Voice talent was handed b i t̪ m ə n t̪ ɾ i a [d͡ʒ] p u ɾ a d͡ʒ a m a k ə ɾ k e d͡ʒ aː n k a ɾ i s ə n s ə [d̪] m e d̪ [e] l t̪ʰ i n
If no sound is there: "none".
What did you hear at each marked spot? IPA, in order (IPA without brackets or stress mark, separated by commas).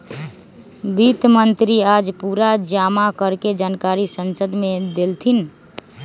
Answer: d͡ʒ, d̪, e